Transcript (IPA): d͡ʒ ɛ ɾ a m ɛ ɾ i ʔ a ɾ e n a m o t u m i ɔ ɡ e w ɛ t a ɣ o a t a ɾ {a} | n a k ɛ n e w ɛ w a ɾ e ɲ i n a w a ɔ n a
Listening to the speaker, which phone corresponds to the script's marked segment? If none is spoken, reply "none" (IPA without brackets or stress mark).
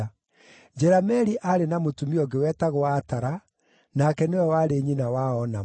a